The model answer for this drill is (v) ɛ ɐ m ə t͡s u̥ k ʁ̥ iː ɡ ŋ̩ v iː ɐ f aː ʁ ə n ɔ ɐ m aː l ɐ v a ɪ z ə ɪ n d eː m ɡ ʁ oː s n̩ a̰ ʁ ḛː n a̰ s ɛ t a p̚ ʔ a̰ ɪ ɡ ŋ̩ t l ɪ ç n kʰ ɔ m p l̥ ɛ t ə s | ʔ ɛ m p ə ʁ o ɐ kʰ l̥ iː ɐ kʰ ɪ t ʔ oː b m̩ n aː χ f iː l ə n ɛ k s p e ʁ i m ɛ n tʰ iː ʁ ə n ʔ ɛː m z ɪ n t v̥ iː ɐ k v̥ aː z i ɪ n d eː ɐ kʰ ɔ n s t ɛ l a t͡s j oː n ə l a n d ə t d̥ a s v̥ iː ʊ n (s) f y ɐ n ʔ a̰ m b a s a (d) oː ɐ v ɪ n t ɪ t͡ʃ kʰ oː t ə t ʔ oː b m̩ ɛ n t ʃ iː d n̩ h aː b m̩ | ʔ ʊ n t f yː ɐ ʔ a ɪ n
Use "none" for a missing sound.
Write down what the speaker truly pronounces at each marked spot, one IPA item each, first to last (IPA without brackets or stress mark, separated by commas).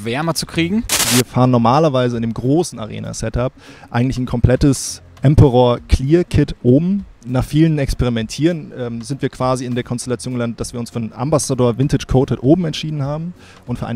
v, s, d